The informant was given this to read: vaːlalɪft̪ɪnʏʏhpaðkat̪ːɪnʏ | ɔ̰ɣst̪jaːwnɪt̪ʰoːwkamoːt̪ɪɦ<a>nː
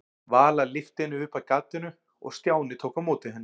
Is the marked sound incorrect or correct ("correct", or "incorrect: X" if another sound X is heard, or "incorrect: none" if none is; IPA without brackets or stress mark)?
incorrect: ɛ